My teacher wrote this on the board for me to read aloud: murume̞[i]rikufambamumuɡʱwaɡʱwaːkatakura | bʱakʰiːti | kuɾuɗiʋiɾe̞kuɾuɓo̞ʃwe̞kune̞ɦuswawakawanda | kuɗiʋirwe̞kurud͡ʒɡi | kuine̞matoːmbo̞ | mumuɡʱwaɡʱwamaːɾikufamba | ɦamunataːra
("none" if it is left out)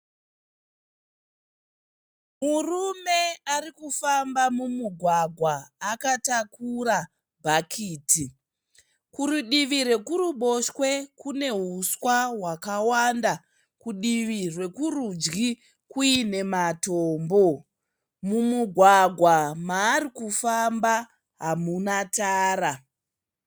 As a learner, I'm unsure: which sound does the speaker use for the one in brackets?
a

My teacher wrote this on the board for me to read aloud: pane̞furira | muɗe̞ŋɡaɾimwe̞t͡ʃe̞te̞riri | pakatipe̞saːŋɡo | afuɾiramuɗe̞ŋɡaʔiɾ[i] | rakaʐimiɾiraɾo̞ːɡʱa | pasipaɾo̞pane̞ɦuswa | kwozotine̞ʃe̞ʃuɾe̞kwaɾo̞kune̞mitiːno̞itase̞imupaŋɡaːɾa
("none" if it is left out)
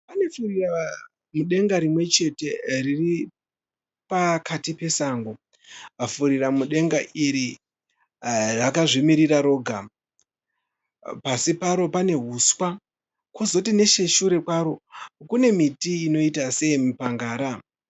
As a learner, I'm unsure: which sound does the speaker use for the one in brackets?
i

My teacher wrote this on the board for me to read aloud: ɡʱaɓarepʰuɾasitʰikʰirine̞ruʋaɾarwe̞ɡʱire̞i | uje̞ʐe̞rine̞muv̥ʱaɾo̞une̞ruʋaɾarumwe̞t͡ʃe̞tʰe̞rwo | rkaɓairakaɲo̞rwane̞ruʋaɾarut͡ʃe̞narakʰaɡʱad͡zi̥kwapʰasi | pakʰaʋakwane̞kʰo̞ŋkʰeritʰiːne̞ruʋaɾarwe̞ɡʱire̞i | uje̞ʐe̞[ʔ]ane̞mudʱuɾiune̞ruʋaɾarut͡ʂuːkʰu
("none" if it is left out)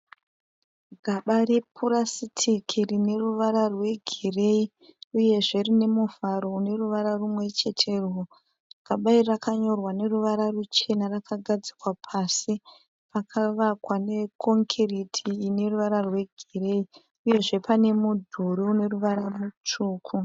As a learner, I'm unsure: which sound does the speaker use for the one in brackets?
p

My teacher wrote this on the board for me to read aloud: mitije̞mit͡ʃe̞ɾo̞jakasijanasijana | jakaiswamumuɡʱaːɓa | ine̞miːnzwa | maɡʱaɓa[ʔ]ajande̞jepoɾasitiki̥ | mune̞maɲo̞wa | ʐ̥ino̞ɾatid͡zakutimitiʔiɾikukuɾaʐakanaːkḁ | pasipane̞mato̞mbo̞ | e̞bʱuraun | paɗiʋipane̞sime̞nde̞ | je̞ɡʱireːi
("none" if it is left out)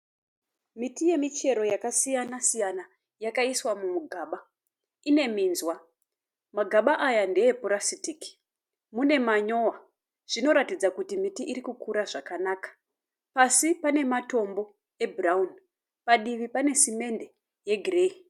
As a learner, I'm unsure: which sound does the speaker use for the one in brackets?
ʔ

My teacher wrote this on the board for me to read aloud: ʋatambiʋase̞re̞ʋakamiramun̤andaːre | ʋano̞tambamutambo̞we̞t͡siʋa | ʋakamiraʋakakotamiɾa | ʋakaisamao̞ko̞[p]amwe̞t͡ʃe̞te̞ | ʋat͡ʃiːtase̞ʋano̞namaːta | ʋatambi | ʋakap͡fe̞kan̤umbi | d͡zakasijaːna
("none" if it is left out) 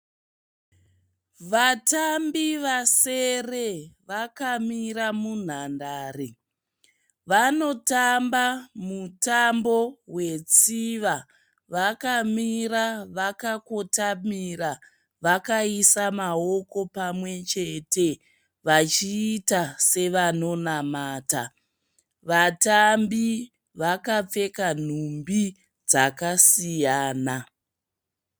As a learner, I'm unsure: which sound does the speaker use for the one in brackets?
p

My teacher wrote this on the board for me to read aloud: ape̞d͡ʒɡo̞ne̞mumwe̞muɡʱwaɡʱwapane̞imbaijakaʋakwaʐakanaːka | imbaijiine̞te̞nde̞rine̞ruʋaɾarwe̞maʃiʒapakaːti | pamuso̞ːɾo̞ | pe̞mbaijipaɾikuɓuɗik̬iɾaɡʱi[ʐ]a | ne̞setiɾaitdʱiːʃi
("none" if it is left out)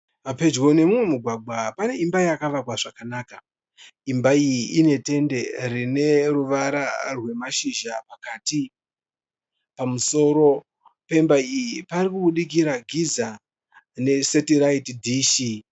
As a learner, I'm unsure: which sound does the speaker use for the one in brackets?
z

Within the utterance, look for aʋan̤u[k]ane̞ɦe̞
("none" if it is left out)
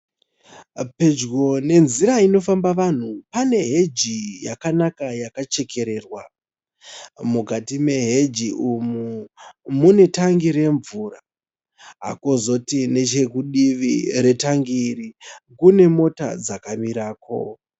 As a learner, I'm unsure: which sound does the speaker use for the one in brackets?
p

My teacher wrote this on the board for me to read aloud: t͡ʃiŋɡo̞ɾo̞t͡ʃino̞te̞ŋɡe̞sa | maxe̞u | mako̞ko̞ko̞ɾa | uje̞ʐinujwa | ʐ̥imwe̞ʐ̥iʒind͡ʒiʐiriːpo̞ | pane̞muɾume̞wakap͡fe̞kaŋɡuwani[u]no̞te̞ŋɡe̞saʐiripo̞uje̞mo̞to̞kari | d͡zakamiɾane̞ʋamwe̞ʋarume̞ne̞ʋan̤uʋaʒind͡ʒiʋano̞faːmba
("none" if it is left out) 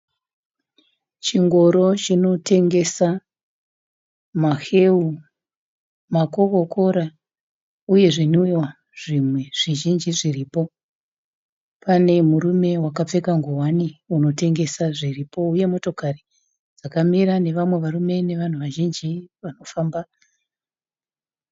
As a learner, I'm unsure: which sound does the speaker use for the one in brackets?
u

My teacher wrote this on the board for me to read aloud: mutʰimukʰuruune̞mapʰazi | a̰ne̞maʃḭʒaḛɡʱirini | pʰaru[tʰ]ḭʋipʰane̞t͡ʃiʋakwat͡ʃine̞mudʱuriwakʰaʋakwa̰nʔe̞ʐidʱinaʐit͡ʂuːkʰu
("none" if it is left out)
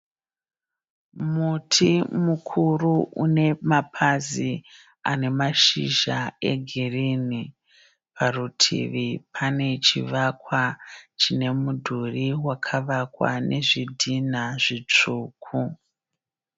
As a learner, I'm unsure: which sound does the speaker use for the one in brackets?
tʰ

